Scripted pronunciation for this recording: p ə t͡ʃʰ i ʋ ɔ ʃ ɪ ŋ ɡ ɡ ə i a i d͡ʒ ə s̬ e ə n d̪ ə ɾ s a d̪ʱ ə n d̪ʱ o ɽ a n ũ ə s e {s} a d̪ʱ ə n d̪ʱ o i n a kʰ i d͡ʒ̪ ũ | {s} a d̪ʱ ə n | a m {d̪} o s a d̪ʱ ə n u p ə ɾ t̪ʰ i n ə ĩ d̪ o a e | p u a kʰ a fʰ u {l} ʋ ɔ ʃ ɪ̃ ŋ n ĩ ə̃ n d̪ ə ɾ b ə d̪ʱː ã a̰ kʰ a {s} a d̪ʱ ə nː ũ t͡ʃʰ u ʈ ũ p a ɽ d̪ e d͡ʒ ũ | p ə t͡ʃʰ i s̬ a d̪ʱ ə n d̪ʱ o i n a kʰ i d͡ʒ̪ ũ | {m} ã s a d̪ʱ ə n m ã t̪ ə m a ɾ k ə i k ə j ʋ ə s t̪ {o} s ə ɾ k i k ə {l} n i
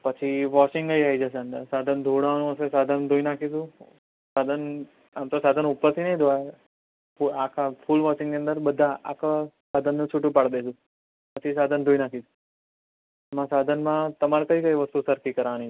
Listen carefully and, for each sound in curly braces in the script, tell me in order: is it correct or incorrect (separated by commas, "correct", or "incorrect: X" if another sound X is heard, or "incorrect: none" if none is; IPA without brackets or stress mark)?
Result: correct, correct, incorrect: t̪, correct, correct, correct, incorrect: u, incorrect: ɾ